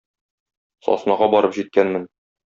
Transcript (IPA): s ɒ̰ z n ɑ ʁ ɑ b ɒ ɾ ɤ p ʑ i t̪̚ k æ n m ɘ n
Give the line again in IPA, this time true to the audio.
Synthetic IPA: s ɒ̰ s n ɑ ʁ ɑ b ɒ ɾ ɤ p ʑ i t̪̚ k æ n m ɘ n